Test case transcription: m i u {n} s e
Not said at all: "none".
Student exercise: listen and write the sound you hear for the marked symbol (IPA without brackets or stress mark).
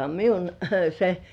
n